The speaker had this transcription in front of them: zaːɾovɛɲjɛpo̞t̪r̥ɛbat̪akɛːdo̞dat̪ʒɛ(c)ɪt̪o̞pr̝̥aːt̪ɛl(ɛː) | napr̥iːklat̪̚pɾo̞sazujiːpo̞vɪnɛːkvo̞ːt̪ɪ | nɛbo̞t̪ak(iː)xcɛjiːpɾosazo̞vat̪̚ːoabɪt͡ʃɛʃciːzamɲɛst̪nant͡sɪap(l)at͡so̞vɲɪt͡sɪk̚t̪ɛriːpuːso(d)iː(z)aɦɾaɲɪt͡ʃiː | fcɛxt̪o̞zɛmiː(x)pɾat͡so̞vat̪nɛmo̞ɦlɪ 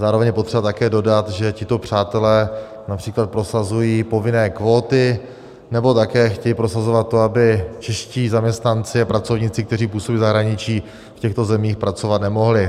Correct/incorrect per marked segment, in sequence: correct, correct, incorrect: ɛː, incorrect: ɾ, incorrect: b, correct, correct

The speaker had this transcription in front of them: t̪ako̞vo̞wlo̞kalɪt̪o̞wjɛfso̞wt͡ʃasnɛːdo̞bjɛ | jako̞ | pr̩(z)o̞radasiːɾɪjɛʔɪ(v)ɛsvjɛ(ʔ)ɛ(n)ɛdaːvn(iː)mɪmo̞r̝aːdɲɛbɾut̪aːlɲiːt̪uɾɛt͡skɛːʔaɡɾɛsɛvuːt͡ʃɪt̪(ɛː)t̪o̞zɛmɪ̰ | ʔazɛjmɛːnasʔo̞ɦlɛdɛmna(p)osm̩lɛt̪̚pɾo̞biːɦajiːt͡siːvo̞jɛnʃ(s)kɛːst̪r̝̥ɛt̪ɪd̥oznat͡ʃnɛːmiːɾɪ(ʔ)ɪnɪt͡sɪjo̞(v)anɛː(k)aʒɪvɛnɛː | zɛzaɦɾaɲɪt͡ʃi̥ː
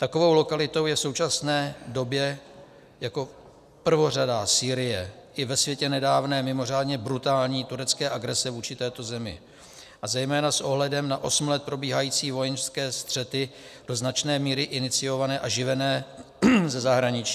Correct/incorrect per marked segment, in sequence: incorrect: v, correct, incorrect: c, correct, incorrect: ɛː, correct, incorrect: ʔ, correct, correct, correct, incorrect: ʔ

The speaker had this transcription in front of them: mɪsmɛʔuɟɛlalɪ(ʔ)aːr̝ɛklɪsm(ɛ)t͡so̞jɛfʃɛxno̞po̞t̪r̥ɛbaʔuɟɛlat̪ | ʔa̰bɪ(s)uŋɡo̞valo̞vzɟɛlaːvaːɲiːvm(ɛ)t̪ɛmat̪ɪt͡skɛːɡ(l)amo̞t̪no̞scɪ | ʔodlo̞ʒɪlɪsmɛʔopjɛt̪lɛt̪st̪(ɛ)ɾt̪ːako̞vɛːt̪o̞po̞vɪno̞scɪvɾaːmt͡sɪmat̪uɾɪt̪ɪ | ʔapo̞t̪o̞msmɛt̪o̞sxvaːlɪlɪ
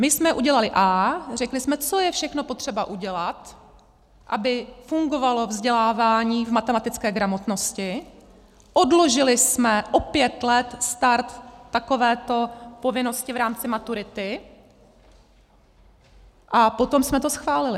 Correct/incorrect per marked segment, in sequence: correct, correct, incorrect: f, incorrect: a, incorrect: ɾ, incorrect: a

